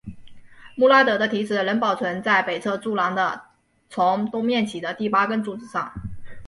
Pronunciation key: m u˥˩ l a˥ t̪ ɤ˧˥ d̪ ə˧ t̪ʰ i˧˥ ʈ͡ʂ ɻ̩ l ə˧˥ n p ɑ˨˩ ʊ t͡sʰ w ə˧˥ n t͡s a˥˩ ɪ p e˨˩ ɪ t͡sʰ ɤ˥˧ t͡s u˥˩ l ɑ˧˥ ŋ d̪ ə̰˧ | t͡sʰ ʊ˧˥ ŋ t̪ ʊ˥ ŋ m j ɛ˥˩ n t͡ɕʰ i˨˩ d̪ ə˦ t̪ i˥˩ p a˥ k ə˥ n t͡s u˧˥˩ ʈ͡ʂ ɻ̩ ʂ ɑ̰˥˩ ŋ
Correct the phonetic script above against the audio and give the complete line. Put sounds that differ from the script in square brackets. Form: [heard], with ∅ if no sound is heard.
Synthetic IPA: m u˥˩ l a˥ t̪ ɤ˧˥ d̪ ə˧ t̪ʰ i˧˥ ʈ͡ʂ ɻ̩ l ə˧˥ n p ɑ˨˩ ʊ t͡sʰ w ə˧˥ n t͡s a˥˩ ɪ p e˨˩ ɪ t͡sʰ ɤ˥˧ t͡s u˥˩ l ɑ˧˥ ŋ d̪ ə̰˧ | t͡sʰ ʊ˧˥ ŋ t̪ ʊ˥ ŋ m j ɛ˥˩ n t͡ɕʰ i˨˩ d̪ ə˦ t̪ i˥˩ p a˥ k ə˥ n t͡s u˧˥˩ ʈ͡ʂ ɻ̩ ʂ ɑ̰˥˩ ŋ